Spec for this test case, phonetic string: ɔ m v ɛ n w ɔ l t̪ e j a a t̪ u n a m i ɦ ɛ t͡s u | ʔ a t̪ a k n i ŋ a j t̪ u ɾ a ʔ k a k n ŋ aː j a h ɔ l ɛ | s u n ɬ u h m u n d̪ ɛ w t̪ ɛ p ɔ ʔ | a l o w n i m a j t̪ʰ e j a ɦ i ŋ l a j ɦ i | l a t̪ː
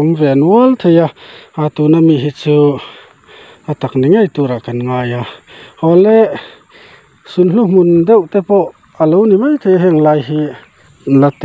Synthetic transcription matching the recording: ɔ m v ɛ n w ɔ l t̪ʰ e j a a t̪ u n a m i ɦ i t͡s u | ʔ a t̪ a k n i ŋ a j t̪ u ɾ a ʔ k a n ŋ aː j a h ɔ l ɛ | s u n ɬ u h m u n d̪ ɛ w t̪ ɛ p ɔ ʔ | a l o w n i m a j t̪ʰ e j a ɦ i ŋ l a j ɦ i | l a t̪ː